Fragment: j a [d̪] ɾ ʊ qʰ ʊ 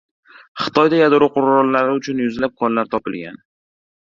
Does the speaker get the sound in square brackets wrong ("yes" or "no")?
no